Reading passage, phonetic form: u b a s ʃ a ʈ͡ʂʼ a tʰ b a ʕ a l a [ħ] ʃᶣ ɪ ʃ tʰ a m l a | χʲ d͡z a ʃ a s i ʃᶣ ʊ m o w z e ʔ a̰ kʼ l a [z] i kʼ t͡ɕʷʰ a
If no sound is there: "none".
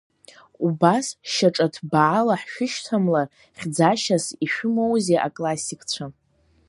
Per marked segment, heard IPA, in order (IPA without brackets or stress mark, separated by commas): ħ, s